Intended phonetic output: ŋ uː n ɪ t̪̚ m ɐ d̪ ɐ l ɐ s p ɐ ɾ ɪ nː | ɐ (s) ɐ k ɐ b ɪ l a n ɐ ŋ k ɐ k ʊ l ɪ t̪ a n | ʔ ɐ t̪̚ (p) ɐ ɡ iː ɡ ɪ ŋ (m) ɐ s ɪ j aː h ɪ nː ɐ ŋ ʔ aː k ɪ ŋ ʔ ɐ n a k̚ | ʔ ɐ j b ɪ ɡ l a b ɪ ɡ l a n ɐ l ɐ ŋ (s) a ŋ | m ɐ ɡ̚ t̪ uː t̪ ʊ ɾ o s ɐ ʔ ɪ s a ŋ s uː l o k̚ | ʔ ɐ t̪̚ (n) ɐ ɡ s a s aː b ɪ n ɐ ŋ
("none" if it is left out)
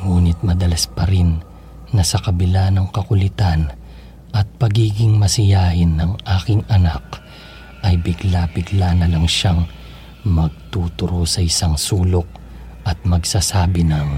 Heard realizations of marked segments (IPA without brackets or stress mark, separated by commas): s, p, m, ʃ, m